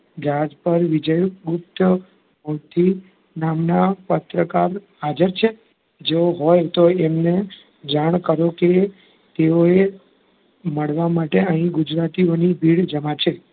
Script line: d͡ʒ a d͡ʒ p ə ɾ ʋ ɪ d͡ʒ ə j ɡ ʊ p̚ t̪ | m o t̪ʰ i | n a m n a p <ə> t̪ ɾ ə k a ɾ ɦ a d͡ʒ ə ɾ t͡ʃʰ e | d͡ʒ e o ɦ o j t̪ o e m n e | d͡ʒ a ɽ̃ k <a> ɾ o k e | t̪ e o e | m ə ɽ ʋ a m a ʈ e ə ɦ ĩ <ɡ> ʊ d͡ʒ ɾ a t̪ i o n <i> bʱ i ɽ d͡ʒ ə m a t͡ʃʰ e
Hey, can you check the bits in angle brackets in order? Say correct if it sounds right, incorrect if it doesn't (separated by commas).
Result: correct, incorrect, correct, correct